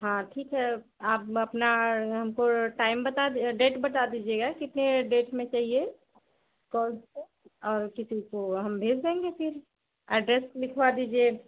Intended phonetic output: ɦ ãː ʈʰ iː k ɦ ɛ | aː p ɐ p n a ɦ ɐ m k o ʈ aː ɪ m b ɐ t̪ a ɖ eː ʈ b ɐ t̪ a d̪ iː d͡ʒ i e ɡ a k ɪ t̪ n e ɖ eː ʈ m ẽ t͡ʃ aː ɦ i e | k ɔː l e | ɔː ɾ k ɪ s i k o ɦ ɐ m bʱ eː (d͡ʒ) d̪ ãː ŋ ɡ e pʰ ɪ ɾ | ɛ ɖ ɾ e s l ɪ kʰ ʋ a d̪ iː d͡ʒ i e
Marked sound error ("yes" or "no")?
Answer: no